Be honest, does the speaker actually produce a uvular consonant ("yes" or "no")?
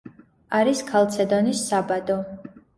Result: no